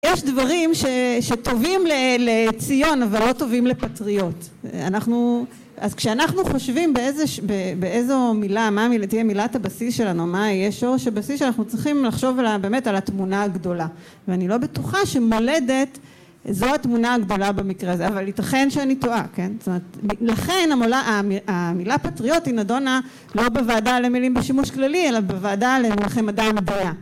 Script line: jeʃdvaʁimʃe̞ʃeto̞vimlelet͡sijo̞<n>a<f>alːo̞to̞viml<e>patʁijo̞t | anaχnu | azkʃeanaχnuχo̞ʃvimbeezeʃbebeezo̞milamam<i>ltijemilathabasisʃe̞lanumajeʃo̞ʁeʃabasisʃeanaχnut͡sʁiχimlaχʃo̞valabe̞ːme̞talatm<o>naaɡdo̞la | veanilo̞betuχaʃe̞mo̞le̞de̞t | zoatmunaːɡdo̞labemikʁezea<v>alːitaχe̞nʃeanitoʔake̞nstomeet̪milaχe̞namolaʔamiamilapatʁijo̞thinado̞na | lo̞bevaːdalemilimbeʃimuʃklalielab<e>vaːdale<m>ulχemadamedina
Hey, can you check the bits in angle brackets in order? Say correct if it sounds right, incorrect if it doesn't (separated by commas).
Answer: correct, incorrect, correct, correct, incorrect, correct, correct, correct